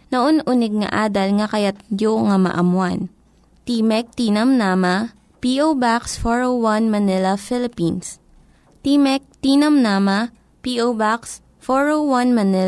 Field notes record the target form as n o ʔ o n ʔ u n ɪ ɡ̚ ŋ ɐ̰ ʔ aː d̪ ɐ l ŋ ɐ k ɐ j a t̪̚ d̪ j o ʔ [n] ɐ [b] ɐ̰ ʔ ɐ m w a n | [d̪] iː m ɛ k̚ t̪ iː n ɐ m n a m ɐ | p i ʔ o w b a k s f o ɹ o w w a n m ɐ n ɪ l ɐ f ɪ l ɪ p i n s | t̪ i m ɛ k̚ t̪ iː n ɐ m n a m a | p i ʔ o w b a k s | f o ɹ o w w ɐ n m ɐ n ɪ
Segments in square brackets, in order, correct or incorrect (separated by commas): incorrect, incorrect, incorrect